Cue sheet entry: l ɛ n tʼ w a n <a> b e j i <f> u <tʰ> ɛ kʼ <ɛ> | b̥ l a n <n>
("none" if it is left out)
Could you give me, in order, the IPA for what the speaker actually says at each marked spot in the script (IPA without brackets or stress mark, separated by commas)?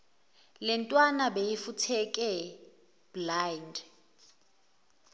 a, f, tʰ, ɛ, d